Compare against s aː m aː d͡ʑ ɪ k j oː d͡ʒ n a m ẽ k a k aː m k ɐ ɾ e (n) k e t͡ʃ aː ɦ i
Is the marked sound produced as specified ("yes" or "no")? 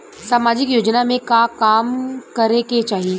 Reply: no